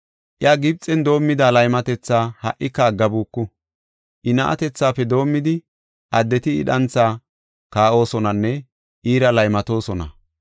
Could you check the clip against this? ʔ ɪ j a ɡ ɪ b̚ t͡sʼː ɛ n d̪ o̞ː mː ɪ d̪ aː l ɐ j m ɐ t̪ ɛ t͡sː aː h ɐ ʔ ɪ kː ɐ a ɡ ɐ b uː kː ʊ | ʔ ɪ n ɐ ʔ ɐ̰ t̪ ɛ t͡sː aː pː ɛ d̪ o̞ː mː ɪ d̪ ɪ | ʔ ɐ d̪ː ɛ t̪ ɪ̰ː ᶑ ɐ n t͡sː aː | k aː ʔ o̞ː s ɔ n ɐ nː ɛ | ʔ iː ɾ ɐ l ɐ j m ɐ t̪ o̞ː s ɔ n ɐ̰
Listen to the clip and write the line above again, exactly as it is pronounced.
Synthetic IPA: ʔ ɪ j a ɡ ɪ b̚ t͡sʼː ɛ n d̪ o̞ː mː ɪ d̪ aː l ɐ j m ɐ t̪ ɛ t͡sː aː h ɐ ʔ ɪ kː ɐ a ɡ ɐ b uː kː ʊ | ʔ ɪ n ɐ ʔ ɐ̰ t̪ ɛ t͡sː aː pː ɛ d̪ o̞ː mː ɪ d̪ ɪ | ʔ ɐ d̪ː ɛ t̪ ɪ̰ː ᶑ ɐ n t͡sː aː | k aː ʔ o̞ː s ɔ n ɐ nː ɛ | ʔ iː ɾ ɐ l ɐ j m ɐ t̪ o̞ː s ɔ n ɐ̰